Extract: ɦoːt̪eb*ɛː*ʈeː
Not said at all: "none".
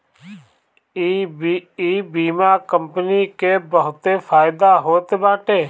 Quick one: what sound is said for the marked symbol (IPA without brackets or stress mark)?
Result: aː